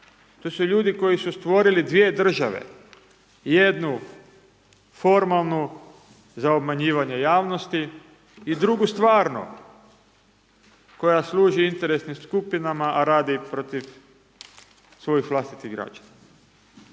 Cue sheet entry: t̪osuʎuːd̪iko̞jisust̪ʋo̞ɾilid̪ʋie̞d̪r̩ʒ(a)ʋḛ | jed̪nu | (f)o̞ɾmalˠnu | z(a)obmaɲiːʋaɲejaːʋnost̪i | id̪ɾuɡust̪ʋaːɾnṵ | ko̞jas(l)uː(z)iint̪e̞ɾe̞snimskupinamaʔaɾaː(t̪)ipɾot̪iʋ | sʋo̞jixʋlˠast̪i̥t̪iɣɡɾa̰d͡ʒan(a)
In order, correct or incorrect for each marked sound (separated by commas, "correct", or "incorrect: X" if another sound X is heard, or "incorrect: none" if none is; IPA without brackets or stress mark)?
correct, correct, correct, correct, incorrect: ʒ, incorrect: d̪, correct